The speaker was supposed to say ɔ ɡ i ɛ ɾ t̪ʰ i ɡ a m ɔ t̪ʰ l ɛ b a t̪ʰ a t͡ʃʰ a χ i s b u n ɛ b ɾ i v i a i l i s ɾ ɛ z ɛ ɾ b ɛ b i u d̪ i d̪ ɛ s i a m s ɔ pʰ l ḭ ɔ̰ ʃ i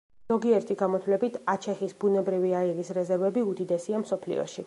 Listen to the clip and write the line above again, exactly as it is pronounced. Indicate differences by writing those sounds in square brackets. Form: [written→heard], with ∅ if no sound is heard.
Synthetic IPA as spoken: ɔ ɡ i ɛ ɾ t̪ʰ i ɡ a m ɔ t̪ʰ l ɛ b [a→i] t̪ʰ a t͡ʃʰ [a→ɛ] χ i s b u n ɛ b ɾ i v i a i l i s ɾ ɛ z ɛ ɾ [b→v] ɛ b i u d̪ i d̪ ɛ s i a m s ɔ pʰ l ḭ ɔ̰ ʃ i